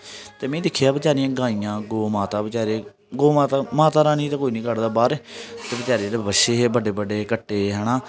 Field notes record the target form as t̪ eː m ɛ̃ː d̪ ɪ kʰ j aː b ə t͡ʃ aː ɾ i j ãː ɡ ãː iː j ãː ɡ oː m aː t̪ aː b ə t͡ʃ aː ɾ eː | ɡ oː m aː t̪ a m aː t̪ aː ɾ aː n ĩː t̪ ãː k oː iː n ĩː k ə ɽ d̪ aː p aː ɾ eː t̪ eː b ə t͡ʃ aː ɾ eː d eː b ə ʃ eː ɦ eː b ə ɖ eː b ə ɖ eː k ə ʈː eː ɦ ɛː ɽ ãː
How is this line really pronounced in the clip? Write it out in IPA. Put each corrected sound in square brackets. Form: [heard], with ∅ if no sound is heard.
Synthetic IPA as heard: t̪ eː m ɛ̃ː d̪ ɪ kʰ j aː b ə t͡ʃ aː ɾ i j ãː ɡ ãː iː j ãː ɡ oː m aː t̪ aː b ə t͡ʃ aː ɾ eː | ɡ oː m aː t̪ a m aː t̪ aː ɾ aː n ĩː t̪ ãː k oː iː n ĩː k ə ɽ d̪ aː [b] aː ɾ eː t̪ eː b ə t͡ʃ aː ɾ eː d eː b ə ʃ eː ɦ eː b ə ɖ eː b ə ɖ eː k ə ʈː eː ɦ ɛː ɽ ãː